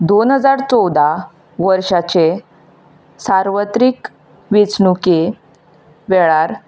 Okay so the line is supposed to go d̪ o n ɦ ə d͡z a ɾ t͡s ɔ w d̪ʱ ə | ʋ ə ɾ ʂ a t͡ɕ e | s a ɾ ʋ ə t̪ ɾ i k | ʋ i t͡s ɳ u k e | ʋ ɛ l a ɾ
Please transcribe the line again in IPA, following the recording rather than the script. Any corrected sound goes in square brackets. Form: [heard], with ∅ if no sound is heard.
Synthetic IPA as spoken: d̪ o n ɦ ə d͡z a ɾ t͡s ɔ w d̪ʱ [a] | ʋ ə ɾ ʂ a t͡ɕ e | s a ɾ ʋ ə t̪ ɾ i k | ʋ i t͡s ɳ u k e | ʋ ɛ [ɭ] a ɾ